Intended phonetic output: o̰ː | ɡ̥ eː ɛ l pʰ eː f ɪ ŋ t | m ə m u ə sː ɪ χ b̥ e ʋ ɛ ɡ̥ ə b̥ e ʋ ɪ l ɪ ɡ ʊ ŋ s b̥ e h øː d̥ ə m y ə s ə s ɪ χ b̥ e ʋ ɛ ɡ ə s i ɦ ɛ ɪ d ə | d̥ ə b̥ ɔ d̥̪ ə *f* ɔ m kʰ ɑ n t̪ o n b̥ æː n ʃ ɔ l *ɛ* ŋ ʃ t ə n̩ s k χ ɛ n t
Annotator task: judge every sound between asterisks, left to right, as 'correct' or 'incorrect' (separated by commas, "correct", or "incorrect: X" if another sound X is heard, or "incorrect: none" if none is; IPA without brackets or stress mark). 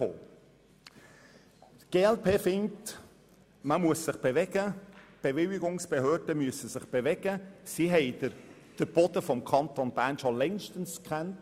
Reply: correct, correct